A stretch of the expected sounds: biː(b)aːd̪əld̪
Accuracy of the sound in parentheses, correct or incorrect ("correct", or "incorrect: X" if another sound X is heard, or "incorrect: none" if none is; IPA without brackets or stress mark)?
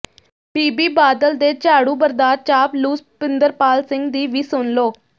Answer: correct